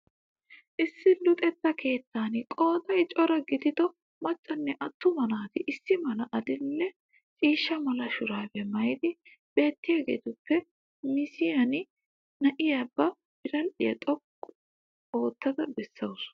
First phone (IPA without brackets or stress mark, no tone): ʔ